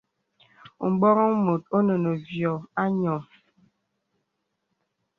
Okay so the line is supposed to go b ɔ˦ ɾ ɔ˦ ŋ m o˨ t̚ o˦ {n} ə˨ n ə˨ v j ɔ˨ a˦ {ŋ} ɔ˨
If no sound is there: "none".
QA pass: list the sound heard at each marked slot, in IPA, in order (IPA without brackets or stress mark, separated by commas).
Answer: n, ɲ